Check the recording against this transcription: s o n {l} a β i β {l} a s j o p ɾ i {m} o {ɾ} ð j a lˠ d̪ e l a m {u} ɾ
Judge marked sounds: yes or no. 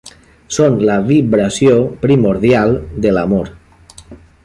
yes, no, yes, yes, no

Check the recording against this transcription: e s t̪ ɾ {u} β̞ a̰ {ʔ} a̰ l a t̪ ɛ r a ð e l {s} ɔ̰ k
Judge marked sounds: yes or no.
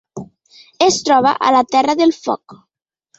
no, yes, no

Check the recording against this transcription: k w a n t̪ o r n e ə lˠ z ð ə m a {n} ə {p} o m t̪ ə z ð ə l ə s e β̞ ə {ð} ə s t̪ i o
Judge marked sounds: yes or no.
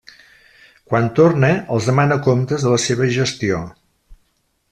yes, no, no

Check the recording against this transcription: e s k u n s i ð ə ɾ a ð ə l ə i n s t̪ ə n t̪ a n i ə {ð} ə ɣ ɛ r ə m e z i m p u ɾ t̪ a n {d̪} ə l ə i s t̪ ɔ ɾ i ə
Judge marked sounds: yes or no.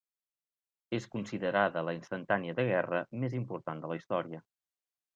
yes, yes

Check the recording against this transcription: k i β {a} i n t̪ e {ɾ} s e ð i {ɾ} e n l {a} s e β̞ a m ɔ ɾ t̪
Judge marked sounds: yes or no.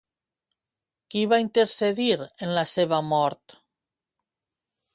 yes, yes, yes, yes

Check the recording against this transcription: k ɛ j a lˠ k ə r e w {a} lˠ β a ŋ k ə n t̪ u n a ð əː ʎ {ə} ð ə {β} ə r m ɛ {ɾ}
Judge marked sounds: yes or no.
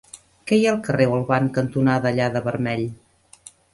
no, no, yes, no

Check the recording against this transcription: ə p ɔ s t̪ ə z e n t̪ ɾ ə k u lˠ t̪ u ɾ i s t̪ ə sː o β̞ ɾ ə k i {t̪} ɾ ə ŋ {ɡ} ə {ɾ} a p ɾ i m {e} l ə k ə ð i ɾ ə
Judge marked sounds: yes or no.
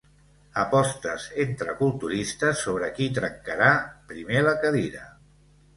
yes, no, yes, yes

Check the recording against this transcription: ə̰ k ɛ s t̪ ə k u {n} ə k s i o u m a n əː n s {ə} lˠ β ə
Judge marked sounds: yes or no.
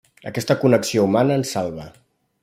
yes, no

